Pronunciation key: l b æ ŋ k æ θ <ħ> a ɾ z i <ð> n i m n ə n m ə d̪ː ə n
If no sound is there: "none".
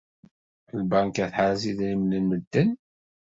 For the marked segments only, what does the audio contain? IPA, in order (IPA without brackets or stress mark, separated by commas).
ħ, ð